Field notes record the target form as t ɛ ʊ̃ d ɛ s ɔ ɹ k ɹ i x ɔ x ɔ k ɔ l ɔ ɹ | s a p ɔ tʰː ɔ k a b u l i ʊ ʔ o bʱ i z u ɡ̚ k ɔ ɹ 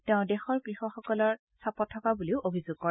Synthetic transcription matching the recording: t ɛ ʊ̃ d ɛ x ɔ ɹ k ɹ i x ɔ x ɔ k ɔ l ɔ ɹ | s a p ɔ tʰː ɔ k a b u l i ʊ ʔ o bʱ i z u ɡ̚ k ɔ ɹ

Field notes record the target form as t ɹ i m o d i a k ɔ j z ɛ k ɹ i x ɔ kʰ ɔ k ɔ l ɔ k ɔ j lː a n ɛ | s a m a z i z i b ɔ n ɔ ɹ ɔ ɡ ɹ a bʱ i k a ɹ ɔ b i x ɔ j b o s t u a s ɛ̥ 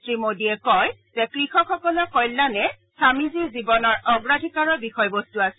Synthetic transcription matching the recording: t ɹ i m o d i ɛ k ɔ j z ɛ k ɹ i x ɔ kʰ ɔ k ɔ l ɔ k ɔ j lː a n ɛ | s a m i z i z i b ɔ n ɔ ɹ ɔ ɡ ɹ a dʱ i k a ɹ ɔ b i x ɔ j b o s t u a s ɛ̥

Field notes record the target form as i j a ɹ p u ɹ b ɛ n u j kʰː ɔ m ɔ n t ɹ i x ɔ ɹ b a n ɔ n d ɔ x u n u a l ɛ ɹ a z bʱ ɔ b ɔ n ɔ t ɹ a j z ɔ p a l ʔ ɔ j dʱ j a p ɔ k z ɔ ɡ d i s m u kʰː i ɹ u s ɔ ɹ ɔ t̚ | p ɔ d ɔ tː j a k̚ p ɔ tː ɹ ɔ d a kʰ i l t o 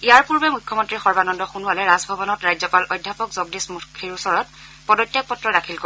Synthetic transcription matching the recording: i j a ɹ p u ɹ b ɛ m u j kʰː ɔ m ɔ n t ɹ i x ɔ ɹ b a n ɔ n d ɔ x u n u a l ɛ ɹ a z bʱ ɔ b ɔ n ɔ t ɹ a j z ɔ p a l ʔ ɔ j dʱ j a p ɔ k z ɔ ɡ d i s m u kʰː i ɹ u s ɔ ɹ ɔ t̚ | p ɔ d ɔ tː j a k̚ p ɔ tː ɹ ɔ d a kʰ i l k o

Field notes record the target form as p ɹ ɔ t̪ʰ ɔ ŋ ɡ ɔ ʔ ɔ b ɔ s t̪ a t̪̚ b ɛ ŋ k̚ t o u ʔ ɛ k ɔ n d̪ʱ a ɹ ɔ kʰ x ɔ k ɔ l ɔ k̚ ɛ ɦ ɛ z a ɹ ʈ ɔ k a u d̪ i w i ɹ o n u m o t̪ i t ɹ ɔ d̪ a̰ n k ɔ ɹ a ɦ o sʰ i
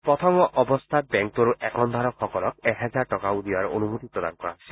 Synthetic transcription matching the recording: p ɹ ɔ t̪ʰ ɔ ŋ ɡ ɔ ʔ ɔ b ɔ s t̪ʰ a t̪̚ b ɛ ŋ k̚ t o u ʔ ɛ k ɔ n d̪ʱ a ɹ ɔ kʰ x ɔ k ɔ l ɔ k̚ ɛ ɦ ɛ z a ɹ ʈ ɔ k a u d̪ i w a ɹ o n u m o t̪ i p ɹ ɔ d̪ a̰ n k ɔ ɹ a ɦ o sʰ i

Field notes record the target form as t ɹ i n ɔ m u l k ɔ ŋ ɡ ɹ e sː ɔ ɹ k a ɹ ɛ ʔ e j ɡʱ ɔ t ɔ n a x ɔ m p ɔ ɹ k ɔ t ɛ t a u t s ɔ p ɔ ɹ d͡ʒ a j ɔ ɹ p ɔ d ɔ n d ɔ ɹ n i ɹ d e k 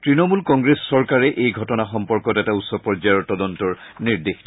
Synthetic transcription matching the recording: t ɹ i n ɔ m u l k ɔ ŋ ɡ ɹ e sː ɔ ɹ k a ɹ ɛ ʔ e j ɡʱ ɔ t ɔ n a x ɔ m p ɔ ɹ k ɔ t ɛ t a u t s ɔ p ɔ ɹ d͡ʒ a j ɔ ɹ t ɔ d ɔ n t ɔ ɹ n i ɹ d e x

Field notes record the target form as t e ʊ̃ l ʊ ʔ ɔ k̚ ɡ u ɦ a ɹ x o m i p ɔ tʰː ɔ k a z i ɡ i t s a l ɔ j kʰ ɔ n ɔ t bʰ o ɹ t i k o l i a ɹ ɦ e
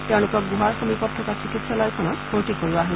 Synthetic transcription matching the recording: t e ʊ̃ l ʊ k ɔ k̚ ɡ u ɦ a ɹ x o m i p ɔ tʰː ɔ k a s i k i t s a l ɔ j kʰ ɔ n ɔ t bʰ o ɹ t i k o ɹ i a ɦ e

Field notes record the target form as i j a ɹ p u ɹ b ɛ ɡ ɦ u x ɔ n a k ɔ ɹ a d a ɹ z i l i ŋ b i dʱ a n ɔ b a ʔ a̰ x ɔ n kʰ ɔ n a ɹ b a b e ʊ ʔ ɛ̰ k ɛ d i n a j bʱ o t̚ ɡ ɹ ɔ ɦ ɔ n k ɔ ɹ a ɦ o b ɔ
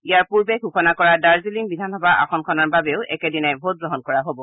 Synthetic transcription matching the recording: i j a ɹ p u ɹ b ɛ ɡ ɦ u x ɔ n a k ɔ ɹ a d a ɹ z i l i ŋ b i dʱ a n ɔ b a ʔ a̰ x ɔ n kʰ ɔ n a ɹ b a b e ʊ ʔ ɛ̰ k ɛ d i n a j bʱ o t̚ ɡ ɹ ɔ ɦ ɔ n k ɔ ɹ a ɦ o b ɔ

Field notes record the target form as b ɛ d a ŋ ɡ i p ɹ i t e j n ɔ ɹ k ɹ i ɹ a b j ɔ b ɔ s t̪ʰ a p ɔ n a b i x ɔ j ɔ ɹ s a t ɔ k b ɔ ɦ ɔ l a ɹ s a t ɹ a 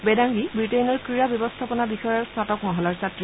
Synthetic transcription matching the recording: b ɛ d a ŋ ɡ i b ɹ i t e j n ɔ ɹ k ɹ i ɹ a b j ɔ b ɔ s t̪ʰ a p ɔ n a b i x ɔ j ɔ ɹ s a t ɔ k m ɔ ɦ ɔ l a ɹ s a t ɹ i

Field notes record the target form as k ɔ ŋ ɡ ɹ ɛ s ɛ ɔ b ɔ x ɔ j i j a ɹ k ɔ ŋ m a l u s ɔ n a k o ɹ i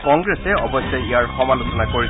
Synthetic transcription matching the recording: k ɔ ŋ ɡ ɹ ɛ s ɛ ɔ b ɔ s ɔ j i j a ɹ x ɔ m a l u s ɔ n a k o ɹ i

